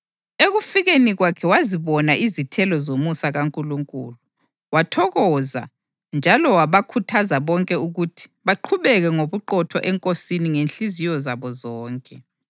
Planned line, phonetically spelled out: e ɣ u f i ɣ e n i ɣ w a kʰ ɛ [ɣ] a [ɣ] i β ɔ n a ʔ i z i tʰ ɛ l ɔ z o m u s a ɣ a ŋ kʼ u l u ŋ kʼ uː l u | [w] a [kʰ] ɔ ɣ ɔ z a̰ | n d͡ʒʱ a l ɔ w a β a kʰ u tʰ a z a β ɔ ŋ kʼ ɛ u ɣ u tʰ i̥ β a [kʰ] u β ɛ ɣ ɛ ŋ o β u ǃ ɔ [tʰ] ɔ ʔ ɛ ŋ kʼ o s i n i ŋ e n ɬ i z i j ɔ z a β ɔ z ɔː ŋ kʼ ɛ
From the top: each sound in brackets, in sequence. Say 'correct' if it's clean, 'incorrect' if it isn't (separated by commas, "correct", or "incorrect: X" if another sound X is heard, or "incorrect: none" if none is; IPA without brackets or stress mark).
incorrect: w, incorrect: z, correct, incorrect: tʰ, incorrect: ǃʰ, correct